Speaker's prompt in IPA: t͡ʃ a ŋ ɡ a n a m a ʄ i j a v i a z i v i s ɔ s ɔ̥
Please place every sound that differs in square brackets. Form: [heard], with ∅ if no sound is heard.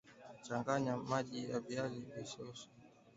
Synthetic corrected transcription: t͡ʃ a ŋ ɡ a [ɲ] a m a ʄ i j a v i a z i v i s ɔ s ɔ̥